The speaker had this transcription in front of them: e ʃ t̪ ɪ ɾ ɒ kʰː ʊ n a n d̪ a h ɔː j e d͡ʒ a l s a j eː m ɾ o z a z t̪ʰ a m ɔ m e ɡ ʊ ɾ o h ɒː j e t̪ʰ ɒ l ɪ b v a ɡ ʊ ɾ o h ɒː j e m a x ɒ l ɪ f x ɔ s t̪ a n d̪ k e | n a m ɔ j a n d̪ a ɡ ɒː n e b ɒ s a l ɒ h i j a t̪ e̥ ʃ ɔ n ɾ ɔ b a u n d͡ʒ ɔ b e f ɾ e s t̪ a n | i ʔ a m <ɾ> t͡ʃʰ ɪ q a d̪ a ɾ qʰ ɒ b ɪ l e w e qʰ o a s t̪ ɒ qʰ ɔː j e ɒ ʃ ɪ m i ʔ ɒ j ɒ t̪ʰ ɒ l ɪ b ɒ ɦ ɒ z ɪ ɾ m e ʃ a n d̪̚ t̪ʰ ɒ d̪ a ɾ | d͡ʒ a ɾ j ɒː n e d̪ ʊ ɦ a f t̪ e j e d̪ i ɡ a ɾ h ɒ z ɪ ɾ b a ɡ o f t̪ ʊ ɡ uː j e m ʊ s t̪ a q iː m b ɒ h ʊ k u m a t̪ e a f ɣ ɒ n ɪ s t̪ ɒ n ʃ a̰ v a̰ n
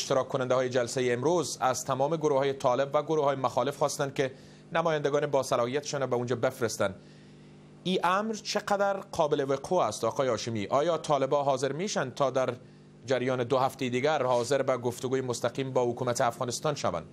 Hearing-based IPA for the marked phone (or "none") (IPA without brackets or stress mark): ɾ